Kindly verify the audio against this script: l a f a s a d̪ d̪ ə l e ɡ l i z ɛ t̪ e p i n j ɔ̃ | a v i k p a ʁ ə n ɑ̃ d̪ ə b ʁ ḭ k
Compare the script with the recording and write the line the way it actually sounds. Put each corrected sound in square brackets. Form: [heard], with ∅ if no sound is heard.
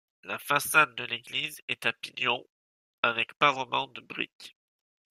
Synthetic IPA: l a f a s a d̪ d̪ ə l e ɡ l i z ɛ t̪ [a] p i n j ɔ̃ | a v [ɛ] k p a ʁ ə [m] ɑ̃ d̪ ə b ʁ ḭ k